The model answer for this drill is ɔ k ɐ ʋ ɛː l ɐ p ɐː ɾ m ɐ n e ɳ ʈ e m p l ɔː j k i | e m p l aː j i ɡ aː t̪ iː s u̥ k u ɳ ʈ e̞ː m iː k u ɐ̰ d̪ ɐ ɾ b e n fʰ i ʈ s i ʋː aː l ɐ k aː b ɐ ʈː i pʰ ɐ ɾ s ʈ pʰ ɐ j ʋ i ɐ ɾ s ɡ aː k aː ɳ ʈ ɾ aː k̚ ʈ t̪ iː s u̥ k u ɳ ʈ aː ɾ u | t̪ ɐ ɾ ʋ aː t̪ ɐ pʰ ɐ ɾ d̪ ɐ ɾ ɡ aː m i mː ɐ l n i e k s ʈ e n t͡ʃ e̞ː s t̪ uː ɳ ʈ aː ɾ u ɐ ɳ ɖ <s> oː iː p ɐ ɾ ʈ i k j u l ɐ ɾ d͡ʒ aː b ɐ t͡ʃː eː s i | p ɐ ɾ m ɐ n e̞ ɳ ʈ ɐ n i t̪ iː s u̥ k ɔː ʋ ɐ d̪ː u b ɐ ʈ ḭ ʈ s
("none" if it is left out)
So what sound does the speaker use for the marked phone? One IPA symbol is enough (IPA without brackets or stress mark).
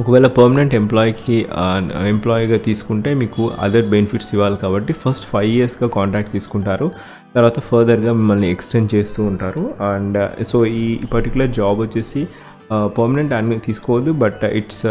s